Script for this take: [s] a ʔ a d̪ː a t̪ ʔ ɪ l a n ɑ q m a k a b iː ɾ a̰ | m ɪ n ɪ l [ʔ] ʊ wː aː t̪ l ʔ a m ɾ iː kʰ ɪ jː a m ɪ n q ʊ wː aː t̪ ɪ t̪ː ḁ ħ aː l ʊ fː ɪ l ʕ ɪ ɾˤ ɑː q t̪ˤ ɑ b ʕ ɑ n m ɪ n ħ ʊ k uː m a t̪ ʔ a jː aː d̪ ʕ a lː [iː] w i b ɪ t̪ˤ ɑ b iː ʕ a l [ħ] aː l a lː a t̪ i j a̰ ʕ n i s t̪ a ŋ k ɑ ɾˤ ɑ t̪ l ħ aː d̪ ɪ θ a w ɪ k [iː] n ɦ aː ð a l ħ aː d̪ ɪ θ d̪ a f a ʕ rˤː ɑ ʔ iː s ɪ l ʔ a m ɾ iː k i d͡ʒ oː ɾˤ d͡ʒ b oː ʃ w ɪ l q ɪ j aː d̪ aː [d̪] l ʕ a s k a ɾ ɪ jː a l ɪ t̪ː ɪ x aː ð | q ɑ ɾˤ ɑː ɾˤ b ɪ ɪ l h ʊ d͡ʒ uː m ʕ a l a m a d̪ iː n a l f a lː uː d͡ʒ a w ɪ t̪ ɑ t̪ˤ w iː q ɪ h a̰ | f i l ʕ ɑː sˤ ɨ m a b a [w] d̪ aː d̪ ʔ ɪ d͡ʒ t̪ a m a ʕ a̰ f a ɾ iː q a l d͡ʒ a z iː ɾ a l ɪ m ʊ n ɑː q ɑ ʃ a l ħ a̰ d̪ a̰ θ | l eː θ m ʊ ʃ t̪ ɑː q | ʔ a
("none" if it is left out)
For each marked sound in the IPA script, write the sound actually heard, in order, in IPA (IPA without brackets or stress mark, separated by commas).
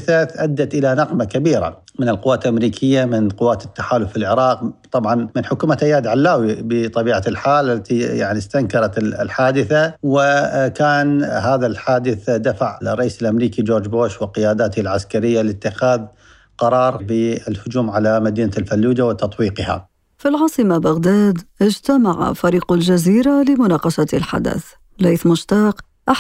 θ, q, aː, ħ, aː, t̪, ɣ